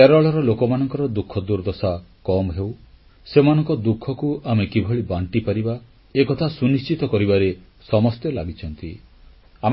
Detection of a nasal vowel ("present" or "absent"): absent